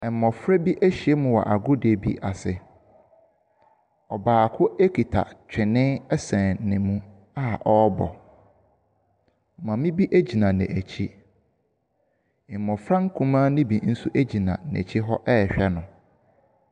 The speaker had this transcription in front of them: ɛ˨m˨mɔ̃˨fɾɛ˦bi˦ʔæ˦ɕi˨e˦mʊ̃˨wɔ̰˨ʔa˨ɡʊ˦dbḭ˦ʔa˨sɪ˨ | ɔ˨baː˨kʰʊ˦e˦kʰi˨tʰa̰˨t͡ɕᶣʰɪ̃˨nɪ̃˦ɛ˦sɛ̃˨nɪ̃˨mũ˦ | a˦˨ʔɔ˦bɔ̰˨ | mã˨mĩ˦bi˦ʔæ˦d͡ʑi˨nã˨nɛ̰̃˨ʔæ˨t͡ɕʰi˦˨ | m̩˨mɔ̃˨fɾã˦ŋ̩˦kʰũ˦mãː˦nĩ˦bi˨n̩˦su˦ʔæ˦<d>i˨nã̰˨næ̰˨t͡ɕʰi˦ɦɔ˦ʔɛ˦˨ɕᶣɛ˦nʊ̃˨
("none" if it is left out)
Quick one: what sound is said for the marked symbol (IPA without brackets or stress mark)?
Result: d͡ʑ